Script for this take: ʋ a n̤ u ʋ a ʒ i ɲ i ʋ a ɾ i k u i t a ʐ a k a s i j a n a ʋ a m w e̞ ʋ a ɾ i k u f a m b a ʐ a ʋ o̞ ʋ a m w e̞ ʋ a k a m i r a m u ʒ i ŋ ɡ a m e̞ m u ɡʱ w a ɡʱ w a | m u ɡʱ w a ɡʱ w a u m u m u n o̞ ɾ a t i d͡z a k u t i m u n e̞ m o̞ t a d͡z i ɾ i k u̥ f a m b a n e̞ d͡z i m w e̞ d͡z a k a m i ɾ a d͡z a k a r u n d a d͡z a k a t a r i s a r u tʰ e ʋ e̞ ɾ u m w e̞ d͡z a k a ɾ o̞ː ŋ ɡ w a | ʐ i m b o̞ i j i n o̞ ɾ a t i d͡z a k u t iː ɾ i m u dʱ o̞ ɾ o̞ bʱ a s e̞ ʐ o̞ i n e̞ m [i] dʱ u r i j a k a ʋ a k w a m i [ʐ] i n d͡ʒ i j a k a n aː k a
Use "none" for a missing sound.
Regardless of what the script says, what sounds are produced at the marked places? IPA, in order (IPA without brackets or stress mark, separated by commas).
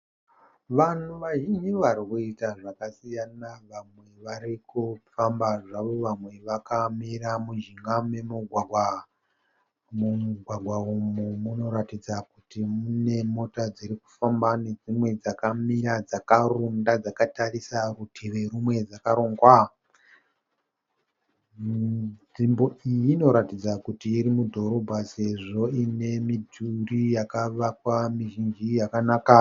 i, ʒ